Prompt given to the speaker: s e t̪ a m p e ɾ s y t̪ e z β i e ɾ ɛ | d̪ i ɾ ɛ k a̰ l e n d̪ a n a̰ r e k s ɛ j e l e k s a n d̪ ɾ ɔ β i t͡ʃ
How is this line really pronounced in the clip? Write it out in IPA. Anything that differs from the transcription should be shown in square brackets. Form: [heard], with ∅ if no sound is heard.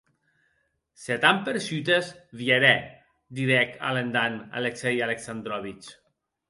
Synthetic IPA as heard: s e t̪ a m p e ɾ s y t̪ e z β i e ɾ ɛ | d̪ i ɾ ɛ k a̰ l e n d̪ a n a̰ [l] e k s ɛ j [a] l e k s a n d̪ ɾ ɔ β i t͡ʃ